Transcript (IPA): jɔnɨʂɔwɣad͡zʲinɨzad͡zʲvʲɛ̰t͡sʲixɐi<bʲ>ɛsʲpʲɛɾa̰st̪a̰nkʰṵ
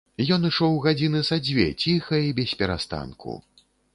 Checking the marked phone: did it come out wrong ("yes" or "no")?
no